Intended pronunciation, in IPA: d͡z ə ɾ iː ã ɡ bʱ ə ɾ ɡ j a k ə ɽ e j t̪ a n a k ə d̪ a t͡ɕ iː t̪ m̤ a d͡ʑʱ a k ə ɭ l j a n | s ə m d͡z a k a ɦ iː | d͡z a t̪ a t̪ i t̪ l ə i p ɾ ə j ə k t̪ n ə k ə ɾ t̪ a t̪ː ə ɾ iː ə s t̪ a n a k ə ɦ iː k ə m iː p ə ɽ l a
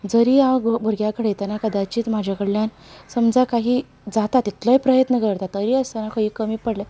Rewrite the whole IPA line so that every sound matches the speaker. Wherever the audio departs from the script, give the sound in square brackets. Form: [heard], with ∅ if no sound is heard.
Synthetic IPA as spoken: d͡z ə ɾ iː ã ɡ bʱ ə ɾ ɡ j a k ə ɽ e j t̪ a n a k ə d̪ a t͡ɕ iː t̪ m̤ a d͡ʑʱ a k ə [ɽ] l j a n | s ə m d͡z a k a ɦ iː | d͡z a t̪ a t̪ i t̪ l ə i p ɾ ə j ə [∅] t̪ n ə k ə ɾ t̪ a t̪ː ə ɾ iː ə s t̪ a n a k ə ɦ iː k ə m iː p ə ɽ l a